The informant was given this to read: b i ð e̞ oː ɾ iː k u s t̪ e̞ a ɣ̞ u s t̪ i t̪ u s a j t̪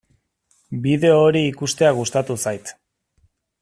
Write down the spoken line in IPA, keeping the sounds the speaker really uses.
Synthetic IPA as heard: b i ð e̞ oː ɾ iː k u s t̪ e̞ a ɣ̞ u s t̪ a t̪ u s a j t̪